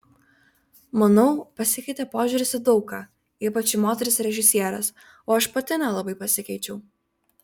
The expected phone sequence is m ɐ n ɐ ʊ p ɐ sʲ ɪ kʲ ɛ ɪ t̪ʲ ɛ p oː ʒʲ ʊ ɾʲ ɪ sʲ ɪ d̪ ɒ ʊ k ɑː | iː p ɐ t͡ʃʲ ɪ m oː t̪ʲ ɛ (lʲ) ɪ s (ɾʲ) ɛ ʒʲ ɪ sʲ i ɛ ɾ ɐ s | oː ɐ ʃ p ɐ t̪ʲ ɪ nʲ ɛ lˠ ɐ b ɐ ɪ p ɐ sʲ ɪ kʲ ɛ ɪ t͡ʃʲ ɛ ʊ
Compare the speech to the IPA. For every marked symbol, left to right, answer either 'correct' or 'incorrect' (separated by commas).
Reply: incorrect, correct